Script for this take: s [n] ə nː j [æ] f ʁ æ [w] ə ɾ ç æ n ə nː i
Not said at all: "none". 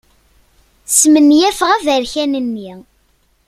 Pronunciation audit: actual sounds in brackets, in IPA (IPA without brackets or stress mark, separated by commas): m, æ, v